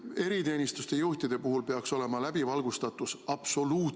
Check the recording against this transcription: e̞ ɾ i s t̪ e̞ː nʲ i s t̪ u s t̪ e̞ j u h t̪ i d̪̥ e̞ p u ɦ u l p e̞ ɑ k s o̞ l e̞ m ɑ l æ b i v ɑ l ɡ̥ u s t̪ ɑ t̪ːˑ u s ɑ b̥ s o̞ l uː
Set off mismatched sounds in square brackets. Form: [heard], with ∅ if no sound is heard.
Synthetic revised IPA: e̞ ɾ i [∅] t̪ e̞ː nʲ i s t̪ u s t̪ e̞ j u h t̪ i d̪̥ e̞ p u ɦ u l p e̞ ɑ k s o̞ l e̞ m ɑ l æ b i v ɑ l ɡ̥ u s t̪ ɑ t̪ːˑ u s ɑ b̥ s o̞ l uː